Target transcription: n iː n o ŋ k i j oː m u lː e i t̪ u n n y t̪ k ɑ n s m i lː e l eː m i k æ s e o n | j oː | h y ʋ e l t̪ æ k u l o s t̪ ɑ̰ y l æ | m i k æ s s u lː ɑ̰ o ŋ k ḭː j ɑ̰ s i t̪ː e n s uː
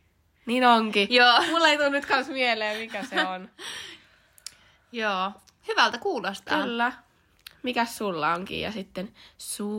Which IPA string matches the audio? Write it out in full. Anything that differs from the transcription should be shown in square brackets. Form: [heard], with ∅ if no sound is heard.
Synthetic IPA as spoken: n iː n o ŋ k i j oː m u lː e i t̪ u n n y t̪ k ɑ n s m i [∅] e l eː m i k æ s e o n | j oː | h y ʋ [æ] l t̪ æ k [uː] l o s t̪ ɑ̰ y [lː] æ | m i k æ s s u lː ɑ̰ o ŋ k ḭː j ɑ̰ s i t̪ː e n s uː